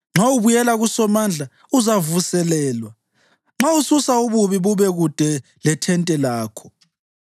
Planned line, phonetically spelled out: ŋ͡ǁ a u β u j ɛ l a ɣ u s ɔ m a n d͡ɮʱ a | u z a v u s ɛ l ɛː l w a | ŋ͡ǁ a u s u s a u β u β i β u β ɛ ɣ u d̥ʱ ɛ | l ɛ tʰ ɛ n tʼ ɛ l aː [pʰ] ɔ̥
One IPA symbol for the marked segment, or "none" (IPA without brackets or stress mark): kʰ